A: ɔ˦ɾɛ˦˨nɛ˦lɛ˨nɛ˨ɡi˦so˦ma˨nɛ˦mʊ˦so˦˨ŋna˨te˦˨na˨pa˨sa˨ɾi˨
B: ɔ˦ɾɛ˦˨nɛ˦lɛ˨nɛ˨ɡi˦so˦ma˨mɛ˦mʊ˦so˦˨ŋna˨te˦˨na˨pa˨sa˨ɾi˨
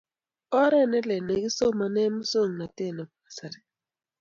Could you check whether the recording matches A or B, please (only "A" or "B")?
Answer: A